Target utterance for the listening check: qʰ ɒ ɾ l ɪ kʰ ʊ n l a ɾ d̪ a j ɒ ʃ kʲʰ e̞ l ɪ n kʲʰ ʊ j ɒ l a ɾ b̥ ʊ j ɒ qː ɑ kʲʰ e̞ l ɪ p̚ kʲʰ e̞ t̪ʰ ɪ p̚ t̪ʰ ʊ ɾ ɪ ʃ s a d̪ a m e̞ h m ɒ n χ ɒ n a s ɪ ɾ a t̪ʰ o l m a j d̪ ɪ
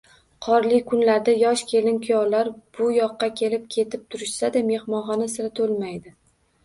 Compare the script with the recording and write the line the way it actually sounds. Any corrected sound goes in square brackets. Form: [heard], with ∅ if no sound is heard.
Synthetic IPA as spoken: qʰ ɒ ɾ l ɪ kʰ ʊ n l a ɾ d̪ a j ɒ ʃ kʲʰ e̞ l ɪ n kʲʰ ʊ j ɒ l a ɾ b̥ ʊ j ɒ qː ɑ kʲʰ e̞ l ɪ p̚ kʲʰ e̞ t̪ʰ ɪ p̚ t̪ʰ ʊ ɾ ɪ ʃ s a d̪ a m e̞ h m ɒ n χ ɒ n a s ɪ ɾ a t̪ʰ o l m a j d̪ ɪ